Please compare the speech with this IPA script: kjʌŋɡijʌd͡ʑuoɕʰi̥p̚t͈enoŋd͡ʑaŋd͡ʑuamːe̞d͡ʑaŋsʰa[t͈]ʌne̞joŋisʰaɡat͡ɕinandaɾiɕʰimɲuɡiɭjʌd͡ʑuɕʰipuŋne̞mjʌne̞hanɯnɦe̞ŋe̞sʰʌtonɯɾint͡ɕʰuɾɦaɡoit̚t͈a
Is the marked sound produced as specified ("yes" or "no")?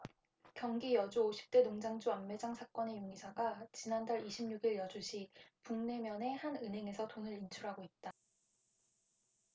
no